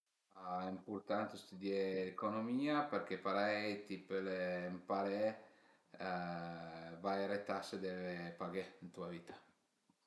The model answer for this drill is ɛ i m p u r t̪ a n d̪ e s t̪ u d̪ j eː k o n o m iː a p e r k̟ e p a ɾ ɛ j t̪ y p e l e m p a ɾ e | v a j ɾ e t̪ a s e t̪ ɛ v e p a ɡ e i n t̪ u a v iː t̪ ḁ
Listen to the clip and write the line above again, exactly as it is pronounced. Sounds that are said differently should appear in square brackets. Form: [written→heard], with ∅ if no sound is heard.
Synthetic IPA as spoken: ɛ i m p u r t̪ a n [d̪→t̪] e s t̪ u d̪ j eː k o n o m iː a p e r k̟ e p a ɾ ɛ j t̪ [y→i] p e l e m p a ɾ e | v a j ɾ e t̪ a s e [t̪→d̪] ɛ v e p a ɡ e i n t̪ u a v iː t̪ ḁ